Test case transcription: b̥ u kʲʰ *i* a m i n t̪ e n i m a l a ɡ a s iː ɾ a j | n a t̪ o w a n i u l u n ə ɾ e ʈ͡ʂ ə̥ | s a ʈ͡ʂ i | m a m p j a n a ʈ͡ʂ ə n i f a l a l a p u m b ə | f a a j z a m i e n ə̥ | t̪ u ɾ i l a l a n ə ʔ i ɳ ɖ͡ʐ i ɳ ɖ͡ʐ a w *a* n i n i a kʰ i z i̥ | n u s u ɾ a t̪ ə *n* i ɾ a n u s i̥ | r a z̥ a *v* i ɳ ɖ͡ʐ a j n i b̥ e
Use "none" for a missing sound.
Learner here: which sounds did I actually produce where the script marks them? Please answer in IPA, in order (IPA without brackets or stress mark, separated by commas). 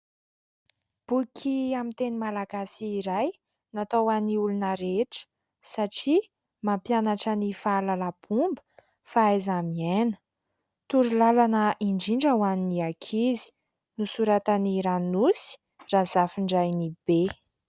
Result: i, a, n, f